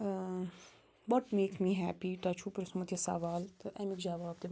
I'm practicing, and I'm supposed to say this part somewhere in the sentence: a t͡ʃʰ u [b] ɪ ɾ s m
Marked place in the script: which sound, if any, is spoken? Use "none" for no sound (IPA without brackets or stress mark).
p